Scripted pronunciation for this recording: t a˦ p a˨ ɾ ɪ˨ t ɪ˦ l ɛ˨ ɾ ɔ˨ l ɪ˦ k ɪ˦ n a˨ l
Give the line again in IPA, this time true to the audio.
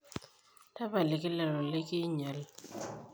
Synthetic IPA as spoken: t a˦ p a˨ l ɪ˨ k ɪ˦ l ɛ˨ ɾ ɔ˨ l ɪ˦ k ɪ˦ ɲ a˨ l